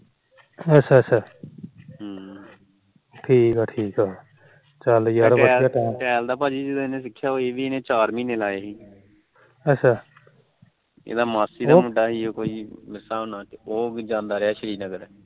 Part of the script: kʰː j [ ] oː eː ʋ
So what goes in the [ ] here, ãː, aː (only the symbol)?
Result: aː